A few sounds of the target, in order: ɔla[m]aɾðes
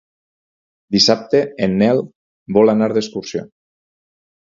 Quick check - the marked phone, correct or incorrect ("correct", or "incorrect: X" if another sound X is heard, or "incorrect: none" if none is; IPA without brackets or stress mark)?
incorrect: n